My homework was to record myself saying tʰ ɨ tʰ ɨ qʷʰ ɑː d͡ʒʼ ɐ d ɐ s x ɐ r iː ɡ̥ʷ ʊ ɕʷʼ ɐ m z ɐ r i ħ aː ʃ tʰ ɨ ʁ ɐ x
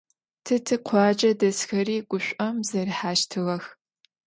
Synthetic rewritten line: tʰ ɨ tʰ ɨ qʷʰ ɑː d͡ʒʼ ɐ d ɐ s x ɐ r iː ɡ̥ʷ ʊ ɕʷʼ ɐ m z ɐ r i ħ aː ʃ tʰ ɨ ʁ ɐ x